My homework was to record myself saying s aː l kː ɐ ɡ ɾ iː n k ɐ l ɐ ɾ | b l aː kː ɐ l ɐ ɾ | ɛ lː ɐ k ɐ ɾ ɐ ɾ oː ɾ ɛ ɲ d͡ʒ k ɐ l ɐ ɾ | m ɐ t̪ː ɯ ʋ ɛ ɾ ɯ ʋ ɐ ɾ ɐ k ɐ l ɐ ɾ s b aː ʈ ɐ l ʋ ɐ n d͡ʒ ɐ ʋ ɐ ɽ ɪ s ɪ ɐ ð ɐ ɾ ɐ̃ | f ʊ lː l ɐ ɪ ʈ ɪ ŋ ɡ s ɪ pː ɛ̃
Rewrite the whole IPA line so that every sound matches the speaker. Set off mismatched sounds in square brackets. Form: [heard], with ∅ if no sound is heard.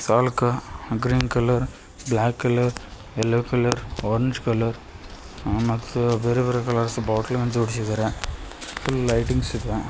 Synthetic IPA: s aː l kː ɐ ɡ ɾ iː n k ɐ l ɐ ɾ | b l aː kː ɐ l ɐ ɾ | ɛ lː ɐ k ɐ [l] ɐ ɾ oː ɾ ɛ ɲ d͡ʒ k ɐ l ɐ ɾ | m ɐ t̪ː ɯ ʋ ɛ ɾ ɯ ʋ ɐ ɾ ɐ k ɐ l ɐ ɾ s b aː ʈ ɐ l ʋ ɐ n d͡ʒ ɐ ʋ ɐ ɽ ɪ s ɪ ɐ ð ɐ ɾ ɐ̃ | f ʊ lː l ɐ ɪ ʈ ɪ ŋ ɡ s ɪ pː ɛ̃